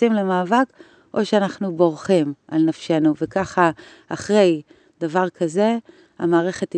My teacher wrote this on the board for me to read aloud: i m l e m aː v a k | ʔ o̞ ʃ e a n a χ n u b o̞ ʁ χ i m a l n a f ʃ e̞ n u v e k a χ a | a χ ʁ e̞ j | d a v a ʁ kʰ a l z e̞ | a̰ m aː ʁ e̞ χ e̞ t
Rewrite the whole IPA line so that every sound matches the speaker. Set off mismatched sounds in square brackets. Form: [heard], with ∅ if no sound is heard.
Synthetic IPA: i m l e m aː v a k | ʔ o̞ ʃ e a n a χ n u b o̞ ʁ χ i m a l n a f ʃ e̞ n u v e k a χ a | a χ ʁ e̞ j | d a v a ʁ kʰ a [∅] z e̞ | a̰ m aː ʁ e̞ χ e̞ t